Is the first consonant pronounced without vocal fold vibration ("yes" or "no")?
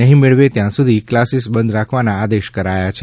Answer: no